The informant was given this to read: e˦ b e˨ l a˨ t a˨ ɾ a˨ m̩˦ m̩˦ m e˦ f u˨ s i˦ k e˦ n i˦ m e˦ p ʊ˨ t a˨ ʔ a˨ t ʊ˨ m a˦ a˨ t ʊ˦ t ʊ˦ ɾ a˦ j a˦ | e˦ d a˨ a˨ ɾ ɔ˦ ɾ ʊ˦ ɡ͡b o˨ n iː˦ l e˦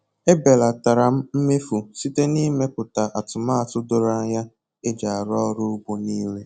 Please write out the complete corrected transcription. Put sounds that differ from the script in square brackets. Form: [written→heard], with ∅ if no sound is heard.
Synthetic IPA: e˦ b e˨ l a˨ t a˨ ɾ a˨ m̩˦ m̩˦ m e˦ f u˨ s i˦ [k→t] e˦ n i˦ m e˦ p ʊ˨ t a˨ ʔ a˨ t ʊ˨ m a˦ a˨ t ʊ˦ [t→d] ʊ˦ ɾ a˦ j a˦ | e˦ [d→d͡ʒ] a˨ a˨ ɾ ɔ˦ ɾ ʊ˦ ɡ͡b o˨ n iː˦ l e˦